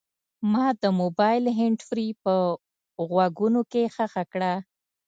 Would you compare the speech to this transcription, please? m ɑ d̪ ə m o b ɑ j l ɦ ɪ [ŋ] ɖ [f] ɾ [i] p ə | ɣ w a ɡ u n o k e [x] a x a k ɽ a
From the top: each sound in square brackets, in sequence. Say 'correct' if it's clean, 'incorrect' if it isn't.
incorrect, correct, correct, correct

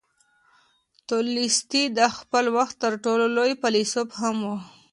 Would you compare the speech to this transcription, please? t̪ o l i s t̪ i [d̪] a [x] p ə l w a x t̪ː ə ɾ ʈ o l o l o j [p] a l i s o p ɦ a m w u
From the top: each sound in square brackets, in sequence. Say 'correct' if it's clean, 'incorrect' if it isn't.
correct, correct, correct

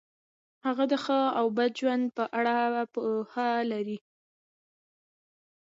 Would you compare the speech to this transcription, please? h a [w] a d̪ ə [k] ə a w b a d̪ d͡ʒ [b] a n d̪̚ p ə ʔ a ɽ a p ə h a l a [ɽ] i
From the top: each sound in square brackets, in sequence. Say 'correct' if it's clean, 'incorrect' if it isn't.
incorrect, incorrect, incorrect, incorrect

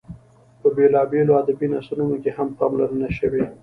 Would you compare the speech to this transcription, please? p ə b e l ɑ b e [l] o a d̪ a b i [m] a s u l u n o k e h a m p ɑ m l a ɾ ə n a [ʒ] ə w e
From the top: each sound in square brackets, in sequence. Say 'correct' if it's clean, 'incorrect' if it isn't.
correct, incorrect, incorrect

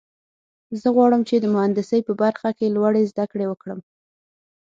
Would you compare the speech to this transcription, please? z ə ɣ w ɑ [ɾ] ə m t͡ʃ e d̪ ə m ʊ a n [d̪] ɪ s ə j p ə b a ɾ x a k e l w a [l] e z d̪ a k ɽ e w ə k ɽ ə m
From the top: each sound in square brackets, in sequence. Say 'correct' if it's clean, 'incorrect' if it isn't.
incorrect, correct, incorrect

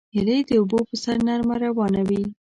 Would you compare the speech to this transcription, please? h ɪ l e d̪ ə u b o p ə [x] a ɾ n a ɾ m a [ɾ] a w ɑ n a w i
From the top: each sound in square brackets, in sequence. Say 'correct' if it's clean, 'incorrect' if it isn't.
incorrect, correct

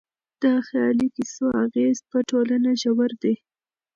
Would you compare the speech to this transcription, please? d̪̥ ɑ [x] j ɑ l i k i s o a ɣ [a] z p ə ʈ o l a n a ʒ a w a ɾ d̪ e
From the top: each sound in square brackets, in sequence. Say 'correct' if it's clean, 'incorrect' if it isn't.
correct, incorrect

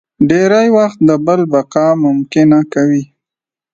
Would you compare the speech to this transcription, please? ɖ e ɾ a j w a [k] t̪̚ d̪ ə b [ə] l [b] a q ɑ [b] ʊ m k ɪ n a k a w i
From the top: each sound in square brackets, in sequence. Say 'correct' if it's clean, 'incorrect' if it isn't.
incorrect, correct, correct, incorrect

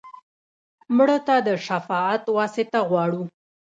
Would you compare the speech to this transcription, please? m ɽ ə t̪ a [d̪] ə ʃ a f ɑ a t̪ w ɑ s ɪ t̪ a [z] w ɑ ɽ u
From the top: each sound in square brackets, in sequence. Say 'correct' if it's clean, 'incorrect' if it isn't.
correct, incorrect

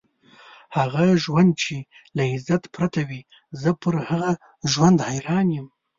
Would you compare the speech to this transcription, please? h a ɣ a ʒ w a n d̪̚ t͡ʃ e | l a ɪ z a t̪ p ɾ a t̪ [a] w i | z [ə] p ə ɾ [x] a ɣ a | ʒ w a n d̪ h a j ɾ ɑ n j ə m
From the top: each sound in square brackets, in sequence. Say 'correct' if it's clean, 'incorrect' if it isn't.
correct, correct, incorrect

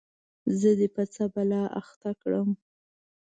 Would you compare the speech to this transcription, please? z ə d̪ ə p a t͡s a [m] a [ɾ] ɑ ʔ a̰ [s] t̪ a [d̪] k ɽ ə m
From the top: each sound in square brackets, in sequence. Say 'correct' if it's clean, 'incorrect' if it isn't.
incorrect, incorrect, incorrect, incorrect

